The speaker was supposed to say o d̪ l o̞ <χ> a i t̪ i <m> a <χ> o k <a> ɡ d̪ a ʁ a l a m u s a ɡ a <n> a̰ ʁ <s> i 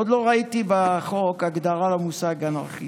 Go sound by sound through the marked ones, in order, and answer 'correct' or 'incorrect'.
incorrect: ʁ, incorrect: b, correct, correct, correct, incorrect: χ

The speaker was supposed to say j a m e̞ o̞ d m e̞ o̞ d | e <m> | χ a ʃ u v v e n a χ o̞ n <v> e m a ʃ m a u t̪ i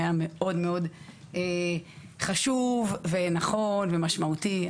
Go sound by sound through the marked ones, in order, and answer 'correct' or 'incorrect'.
incorrect: none, correct

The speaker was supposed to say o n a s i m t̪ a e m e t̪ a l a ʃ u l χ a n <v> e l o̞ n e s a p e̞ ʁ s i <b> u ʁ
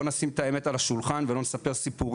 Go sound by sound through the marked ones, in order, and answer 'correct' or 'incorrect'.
correct, incorrect: p

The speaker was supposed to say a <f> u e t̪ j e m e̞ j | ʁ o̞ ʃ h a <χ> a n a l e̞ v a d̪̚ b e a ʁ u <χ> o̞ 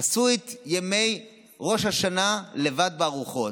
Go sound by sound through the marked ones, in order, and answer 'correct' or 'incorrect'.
incorrect: s, incorrect: ʃ, correct

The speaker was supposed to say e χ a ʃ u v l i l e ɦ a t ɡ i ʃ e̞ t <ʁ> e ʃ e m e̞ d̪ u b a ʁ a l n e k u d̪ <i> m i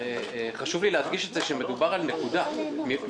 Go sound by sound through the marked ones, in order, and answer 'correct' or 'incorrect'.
incorrect: z, incorrect: a

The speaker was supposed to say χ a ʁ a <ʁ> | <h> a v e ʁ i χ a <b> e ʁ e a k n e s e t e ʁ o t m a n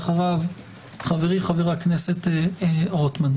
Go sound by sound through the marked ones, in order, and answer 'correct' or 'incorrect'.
incorrect: v, incorrect: χ, incorrect: v

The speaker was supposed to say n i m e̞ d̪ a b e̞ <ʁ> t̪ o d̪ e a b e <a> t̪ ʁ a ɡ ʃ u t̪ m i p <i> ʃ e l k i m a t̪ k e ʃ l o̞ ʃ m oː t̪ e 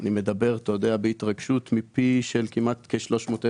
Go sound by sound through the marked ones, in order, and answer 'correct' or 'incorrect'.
correct, incorrect: i, correct

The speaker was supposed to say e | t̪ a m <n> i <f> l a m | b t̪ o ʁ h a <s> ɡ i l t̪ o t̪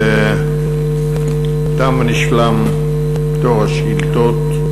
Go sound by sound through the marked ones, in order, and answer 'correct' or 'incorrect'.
correct, incorrect: ʃ, incorrect: ʃ

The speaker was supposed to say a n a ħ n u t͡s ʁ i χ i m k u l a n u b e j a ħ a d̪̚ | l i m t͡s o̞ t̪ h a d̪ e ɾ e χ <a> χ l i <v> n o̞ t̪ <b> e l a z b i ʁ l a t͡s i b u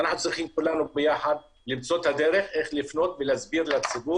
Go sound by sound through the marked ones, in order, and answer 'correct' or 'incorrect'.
incorrect: e, incorrect: f, incorrect: v

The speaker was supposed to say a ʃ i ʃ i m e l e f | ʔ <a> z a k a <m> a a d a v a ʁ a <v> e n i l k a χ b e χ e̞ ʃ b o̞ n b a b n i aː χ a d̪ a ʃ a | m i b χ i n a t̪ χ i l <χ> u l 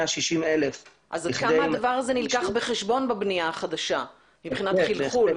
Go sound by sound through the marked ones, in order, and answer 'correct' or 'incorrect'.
correct, correct, incorrect: z, correct

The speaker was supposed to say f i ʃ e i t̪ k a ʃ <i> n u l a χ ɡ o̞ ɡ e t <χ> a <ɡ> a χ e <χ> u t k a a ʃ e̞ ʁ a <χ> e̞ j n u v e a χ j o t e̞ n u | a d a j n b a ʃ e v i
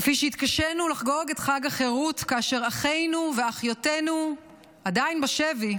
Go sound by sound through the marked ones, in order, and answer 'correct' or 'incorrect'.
incorrect: e, correct, correct, incorrect: ʁ, correct

